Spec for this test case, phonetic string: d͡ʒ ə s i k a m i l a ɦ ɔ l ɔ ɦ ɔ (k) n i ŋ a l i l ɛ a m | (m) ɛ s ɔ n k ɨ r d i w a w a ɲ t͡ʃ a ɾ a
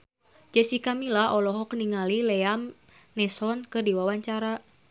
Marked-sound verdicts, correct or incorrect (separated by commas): correct, incorrect